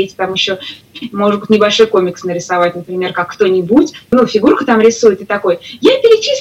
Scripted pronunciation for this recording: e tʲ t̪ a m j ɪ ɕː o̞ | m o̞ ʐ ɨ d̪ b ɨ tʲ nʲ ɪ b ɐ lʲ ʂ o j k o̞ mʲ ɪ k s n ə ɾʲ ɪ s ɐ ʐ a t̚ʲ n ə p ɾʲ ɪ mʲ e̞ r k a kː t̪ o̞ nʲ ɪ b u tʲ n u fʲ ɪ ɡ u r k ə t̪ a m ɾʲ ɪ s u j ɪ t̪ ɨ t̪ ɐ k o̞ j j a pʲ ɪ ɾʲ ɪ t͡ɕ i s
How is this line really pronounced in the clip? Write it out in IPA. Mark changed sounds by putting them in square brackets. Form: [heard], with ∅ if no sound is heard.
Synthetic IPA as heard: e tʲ t̪ a m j ɪ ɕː o̞ | m o̞ ʐ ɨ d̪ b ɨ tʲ nʲ ɪ b ɐ lʲ ʂ o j k o̞ mʲ ɪ k s n ə ɾʲ ɪ s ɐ [v] a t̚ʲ n ə p ɾʲ ɪ mʲ e̞ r k a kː t̪ o̞ nʲ ɪ b u tʲ n u fʲ ɪ ɡ u r k ə t̪ a m ɾʲ ɪ s u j ɪ t̪ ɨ t̪ ɐ k o̞ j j a pʲ ɪ ɾʲ ɪ t͡ɕ i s